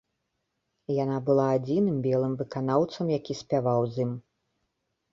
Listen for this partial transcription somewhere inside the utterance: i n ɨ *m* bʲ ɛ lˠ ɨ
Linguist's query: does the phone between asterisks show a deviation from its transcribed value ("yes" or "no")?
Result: no